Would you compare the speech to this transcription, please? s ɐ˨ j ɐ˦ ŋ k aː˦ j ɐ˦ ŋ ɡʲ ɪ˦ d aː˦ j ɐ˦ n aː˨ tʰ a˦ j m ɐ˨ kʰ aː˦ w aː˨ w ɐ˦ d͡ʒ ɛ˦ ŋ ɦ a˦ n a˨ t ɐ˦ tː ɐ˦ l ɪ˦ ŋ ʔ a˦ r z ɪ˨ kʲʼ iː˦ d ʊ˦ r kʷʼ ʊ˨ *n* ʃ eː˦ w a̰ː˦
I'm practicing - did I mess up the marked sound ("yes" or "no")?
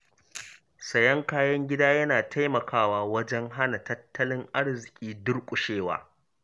yes